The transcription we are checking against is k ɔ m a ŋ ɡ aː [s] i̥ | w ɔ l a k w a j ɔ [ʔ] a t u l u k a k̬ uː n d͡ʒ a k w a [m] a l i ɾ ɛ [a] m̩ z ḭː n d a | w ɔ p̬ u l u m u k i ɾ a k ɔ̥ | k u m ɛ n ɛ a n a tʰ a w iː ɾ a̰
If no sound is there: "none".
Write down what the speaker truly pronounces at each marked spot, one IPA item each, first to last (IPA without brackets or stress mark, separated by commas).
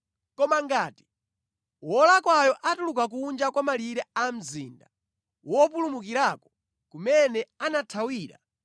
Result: t, ʔ, m, a